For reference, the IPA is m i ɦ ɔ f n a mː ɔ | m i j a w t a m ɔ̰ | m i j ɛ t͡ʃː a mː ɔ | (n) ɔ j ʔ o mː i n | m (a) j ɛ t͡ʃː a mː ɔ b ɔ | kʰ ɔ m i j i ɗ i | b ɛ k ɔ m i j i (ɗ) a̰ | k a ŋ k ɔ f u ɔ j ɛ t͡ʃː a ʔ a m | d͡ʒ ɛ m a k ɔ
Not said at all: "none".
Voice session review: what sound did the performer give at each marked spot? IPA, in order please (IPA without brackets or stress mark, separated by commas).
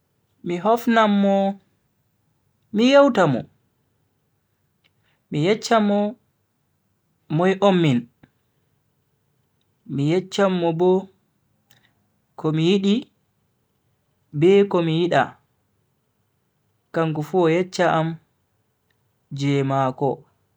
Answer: m, i, ɗ